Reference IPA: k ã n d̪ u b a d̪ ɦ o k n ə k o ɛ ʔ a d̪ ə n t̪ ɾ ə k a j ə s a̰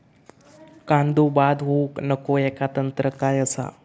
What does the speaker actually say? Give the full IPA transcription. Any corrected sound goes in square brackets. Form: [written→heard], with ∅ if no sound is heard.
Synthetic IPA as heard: k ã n d̪ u b a d̪ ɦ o k n ə k o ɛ [ʔ→k] a [d̪→t̪] ə n t̪ ɾ ə k a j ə s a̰